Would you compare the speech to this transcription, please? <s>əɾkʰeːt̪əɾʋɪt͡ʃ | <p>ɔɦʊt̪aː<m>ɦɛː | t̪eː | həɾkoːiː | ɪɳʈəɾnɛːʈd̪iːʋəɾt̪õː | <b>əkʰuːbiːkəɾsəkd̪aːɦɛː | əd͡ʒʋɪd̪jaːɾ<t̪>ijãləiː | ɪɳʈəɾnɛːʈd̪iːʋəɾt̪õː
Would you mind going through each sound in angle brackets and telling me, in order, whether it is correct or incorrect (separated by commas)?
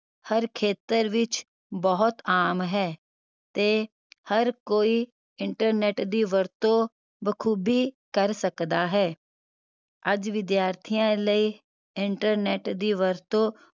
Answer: incorrect, incorrect, correct, correct, incorrect